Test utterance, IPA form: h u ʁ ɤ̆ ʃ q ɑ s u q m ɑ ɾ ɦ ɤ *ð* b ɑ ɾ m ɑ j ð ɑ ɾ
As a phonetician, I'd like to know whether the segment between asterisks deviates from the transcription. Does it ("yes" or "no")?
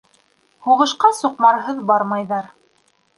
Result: no